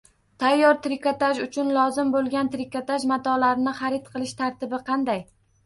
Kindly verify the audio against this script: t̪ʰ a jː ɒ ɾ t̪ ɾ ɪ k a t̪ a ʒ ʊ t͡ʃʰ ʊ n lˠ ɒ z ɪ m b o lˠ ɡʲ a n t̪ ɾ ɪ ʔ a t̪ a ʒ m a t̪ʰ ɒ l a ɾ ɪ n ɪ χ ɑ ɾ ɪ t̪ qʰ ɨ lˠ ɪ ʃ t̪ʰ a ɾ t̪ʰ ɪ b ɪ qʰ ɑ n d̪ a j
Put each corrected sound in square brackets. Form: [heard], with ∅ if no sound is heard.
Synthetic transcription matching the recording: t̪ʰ a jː ɒ ɾ t̪ ɾ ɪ k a t̪ a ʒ ʊ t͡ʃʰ ʊ n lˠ ɒ z ɪ m b o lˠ ɡʲ a n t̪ ɾ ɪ [k] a t̪ a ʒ m a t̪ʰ ɒ l a ɾ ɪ n ɪ χ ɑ ɾ ɪ t̪ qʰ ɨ lˠ ɪ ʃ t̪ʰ a ɾ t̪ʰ ɪ b ɪ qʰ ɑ n d̪ a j